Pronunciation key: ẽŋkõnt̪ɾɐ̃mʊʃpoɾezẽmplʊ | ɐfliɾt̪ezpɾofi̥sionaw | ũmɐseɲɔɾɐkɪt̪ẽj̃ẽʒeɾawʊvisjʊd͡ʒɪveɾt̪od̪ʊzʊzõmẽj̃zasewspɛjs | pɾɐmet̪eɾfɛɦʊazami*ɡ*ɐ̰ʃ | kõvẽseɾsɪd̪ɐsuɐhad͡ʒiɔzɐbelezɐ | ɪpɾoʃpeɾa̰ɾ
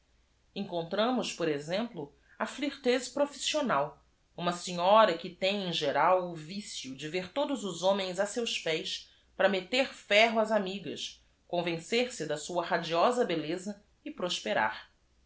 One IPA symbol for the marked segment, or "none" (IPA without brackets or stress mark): ɡ